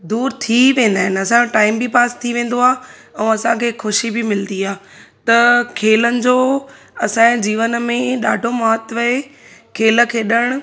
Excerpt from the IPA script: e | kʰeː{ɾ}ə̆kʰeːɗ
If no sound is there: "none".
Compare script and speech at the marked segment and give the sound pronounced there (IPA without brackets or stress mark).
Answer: l